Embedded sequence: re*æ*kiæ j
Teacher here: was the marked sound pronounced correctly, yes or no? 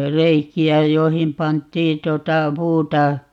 no